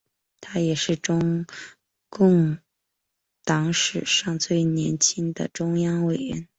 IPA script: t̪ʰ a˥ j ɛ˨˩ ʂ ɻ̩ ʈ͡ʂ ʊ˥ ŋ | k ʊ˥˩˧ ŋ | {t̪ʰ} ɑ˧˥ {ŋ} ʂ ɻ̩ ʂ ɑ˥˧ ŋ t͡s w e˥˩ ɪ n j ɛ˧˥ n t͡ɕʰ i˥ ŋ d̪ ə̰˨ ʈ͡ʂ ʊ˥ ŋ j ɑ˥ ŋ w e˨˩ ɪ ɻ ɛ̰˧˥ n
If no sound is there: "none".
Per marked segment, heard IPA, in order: t̪, ŋ

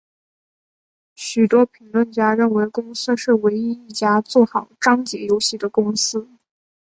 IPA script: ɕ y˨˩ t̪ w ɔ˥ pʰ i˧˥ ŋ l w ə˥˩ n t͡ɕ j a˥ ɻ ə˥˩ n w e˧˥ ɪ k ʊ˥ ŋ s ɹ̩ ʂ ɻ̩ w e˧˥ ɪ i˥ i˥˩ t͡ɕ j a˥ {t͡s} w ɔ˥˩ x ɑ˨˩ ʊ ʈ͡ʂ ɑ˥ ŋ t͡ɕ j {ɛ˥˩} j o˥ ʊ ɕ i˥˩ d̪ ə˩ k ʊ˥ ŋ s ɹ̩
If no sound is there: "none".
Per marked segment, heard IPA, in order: t͡s, ɛ˧˥

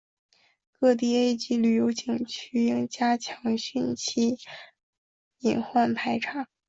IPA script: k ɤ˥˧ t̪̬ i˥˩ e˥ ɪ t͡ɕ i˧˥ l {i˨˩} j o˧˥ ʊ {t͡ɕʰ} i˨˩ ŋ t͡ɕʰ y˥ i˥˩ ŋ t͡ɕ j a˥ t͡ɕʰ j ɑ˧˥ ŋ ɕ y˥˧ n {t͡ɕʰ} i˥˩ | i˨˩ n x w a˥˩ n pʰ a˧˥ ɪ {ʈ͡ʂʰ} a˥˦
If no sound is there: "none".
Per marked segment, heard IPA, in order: y˨˩, t͡ɕ, t͡ɕʰ, ʈ͡ʂʰ

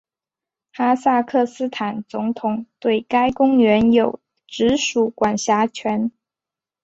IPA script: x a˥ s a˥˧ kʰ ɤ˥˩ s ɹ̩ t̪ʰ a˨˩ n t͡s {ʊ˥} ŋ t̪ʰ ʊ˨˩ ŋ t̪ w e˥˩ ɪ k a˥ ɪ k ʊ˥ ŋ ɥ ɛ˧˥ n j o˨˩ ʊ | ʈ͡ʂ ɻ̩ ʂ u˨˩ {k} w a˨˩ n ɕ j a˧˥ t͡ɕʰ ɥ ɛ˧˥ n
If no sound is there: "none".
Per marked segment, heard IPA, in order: ʊ˧˥, k

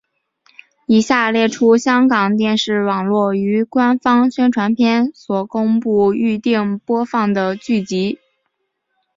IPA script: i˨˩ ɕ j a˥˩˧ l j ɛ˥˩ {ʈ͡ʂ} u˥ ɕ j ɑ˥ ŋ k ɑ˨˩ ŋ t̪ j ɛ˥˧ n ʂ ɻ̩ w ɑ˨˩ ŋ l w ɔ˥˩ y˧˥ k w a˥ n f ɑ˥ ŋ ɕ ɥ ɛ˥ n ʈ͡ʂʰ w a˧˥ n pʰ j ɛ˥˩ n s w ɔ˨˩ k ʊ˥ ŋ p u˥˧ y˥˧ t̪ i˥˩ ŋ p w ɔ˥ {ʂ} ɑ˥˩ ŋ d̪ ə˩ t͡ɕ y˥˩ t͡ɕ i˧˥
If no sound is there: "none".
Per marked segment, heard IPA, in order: ʈ͡ʂʰ, f

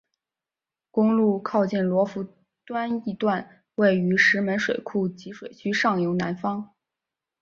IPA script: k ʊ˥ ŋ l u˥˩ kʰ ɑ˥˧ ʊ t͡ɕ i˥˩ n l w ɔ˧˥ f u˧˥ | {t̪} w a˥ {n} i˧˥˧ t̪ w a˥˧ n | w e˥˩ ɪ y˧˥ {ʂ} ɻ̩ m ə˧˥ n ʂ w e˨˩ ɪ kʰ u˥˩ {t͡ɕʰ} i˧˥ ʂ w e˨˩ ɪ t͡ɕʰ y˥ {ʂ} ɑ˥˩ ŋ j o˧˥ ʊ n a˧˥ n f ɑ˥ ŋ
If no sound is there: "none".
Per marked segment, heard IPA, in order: t̪, n, ʂ, t͡ɕ, ʂ

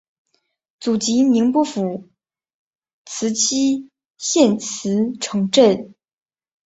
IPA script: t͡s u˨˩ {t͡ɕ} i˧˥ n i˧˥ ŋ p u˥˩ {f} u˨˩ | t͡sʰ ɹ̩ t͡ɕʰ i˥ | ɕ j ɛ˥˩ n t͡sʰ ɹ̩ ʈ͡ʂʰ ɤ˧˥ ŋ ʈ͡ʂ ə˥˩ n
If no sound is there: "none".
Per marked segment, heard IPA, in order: t͡ɕ, f

